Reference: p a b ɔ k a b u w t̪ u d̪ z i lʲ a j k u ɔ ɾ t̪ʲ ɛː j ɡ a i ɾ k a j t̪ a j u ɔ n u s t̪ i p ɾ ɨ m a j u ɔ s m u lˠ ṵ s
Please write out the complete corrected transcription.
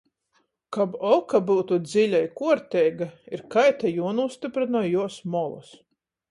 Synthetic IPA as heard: k a b ɔ k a b u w t̪ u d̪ z i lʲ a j k u ɔ ɾ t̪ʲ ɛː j ɡ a i ɾ k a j t̪ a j u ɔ n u s t̪ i p ɾ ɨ n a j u ɔ s m ɔ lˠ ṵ s